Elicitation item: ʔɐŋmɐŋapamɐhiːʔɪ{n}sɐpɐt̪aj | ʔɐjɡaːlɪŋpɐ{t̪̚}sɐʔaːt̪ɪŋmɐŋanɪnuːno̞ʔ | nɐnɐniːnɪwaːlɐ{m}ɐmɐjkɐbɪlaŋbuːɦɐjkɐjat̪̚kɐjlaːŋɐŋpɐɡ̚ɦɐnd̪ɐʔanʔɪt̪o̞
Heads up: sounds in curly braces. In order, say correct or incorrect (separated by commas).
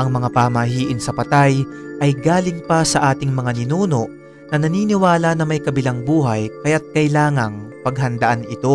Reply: correct, incorrect, incorrect